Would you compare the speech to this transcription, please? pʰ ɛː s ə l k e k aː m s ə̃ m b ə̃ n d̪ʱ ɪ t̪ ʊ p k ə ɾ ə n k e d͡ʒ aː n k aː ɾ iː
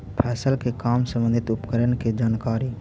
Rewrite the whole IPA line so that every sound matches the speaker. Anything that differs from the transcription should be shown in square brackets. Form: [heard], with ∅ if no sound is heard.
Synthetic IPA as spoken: pʰ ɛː s ə l k e k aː m s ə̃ m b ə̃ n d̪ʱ ɪ t̪ ʊ p k ə ɾ ə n k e d͡ʒ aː n k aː ɾ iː